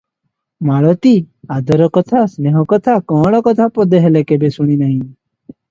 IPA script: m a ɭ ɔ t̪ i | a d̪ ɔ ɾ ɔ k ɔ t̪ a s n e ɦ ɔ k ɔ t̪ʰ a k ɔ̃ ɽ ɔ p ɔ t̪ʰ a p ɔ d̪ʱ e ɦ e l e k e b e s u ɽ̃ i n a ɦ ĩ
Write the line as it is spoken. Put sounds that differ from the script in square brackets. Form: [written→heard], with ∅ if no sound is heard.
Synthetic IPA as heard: m a ɭ ɔ t̪ i | a d̪ ɔ ɾ ɔ k ɔ [t̪→t̪ʰ] a s n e ɦ ɔ k ɔ t̪ʰ a k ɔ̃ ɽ ɔ [p→k] ɔ t̪ʰ a p ɔ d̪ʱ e ɦ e l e k e b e s u ɽ̃ i n a ɦ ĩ